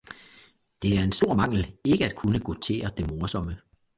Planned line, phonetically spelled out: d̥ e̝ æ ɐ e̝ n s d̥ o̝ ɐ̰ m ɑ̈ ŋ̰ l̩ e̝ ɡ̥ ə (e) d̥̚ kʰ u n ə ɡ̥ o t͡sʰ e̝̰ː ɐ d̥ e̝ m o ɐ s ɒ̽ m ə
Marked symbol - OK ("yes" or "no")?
no